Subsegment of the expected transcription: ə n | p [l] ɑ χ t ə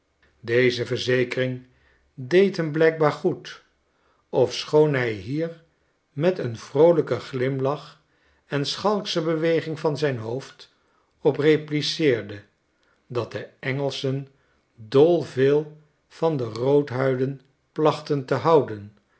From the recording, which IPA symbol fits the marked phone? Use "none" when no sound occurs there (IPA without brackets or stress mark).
l